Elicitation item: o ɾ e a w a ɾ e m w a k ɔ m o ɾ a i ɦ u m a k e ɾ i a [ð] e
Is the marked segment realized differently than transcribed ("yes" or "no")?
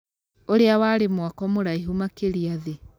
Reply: no